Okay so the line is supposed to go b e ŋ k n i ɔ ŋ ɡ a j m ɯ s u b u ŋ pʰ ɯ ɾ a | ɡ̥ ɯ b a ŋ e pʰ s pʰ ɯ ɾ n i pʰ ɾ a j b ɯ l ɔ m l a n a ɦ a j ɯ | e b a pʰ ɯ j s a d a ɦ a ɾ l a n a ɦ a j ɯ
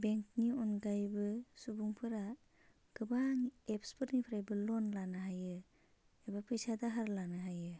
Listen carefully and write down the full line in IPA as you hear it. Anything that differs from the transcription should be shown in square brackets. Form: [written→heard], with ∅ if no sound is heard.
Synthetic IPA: b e ŋ k n i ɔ [ŋ→n] ɡ a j [m→b] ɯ s u b u ŋ pʰ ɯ ɾ a | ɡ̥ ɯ b a ŋ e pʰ s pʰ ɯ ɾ n i pʰ ɾ a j b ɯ l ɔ [m→n] l a n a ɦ a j ɯ | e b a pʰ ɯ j s a d a ɦ a ɾ l a n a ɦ a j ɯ